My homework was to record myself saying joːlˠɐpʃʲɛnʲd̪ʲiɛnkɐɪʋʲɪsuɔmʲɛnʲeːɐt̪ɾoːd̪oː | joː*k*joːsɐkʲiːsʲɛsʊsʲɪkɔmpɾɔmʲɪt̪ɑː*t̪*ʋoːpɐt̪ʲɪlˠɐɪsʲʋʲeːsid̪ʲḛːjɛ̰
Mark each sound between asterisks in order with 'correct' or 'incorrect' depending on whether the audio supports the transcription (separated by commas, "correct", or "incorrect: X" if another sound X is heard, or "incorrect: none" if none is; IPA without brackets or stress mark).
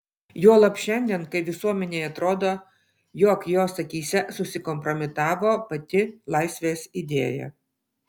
correct, incorrect: none